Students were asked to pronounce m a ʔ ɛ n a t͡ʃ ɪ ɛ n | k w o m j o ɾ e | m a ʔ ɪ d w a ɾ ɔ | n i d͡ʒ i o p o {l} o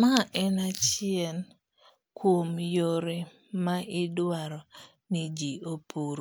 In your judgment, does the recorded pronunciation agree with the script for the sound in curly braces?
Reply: no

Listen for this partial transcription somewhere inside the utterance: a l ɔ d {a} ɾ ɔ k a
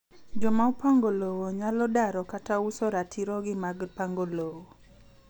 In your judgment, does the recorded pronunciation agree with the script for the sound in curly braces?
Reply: yes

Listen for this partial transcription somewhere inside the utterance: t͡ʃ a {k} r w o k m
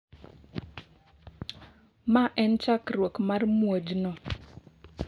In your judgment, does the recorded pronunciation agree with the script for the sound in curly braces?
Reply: yes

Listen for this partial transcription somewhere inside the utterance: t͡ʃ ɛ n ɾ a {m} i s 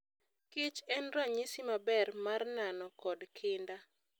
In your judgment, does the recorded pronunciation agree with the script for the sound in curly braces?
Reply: no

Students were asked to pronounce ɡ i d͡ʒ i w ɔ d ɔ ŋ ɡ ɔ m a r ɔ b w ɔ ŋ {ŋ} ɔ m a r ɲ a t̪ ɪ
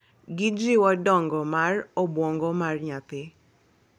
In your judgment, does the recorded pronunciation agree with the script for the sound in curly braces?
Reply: no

